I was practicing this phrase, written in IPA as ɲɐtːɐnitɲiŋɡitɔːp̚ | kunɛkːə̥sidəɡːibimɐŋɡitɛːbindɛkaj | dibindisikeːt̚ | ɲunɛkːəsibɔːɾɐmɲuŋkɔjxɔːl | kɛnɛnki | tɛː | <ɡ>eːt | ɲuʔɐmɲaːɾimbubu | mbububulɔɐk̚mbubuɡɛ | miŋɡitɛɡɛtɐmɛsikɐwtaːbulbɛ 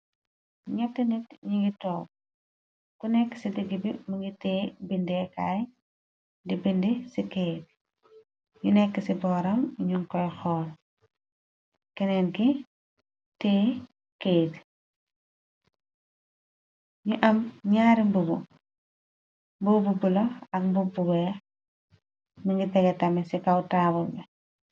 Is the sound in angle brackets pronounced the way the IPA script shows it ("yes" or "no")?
no